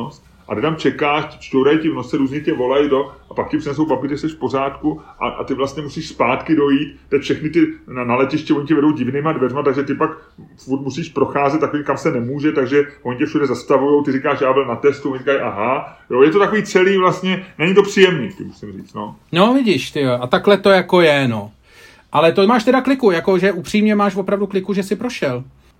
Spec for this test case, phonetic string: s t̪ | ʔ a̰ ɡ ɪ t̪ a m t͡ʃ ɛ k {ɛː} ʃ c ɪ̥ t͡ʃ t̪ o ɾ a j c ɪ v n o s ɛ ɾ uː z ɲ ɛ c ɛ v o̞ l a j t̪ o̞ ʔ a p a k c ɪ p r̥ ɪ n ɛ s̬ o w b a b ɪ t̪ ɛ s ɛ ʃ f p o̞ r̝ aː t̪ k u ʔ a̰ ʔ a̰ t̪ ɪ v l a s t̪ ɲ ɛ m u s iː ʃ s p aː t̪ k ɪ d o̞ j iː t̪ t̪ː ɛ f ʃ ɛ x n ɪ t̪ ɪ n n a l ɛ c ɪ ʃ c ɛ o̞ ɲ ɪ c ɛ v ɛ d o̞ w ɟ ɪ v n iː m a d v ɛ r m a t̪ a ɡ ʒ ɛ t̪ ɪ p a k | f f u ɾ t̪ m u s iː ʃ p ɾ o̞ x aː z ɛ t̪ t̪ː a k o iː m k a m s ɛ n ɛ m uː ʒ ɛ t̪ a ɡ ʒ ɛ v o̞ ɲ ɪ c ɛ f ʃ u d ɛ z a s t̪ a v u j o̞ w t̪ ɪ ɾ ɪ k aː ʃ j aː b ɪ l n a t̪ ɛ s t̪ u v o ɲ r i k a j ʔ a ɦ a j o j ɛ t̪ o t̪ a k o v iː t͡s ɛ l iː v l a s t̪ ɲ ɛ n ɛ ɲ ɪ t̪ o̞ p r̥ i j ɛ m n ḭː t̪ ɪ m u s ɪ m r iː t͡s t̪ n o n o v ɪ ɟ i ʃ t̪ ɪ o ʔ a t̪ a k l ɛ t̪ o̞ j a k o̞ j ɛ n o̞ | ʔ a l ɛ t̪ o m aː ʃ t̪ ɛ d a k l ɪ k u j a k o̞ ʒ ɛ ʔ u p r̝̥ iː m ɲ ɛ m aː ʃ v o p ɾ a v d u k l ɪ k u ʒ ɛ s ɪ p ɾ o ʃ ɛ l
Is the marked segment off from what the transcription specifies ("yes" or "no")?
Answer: yes